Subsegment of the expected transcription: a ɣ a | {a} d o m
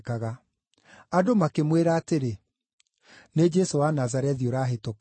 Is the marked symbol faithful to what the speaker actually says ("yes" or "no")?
yes